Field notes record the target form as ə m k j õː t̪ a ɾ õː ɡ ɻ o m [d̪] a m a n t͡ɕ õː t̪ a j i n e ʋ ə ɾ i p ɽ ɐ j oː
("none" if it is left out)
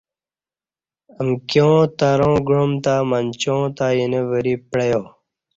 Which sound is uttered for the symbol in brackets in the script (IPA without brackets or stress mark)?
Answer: t̪